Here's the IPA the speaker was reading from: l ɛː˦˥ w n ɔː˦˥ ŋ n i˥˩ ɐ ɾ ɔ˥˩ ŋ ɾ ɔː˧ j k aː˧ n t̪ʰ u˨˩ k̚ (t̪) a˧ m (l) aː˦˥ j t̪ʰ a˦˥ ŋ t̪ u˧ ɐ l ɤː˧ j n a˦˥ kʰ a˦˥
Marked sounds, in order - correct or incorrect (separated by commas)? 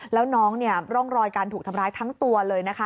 incorrect, incorrect